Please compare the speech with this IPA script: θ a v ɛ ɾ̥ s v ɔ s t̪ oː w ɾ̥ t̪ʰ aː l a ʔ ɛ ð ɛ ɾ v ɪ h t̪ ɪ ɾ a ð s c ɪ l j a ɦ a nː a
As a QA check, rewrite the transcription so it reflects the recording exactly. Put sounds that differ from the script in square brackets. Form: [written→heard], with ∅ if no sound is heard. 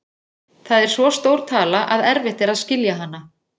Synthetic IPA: θ a [v→ð] ɛ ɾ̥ s v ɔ s t̪ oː w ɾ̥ t̪ʰ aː l a ʔ [ɛ→a] ð ɛ ɾ v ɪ h t̪ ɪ ɾ a ð s c ɪ l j a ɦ a nː a